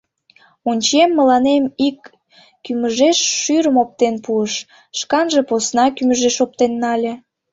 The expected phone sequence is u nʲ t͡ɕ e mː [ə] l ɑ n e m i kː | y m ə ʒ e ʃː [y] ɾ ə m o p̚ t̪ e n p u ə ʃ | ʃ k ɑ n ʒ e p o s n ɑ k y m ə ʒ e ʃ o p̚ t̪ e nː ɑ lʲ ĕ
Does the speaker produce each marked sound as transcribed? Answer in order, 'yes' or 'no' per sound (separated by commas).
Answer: yes, yes